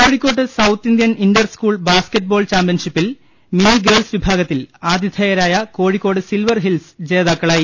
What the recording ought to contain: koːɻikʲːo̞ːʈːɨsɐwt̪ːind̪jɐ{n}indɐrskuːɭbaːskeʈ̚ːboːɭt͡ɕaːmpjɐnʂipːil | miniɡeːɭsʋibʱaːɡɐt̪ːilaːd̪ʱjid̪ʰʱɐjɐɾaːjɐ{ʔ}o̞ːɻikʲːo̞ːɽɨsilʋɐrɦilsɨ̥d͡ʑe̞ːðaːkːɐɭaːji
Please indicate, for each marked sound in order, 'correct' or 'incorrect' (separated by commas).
correct, incorrect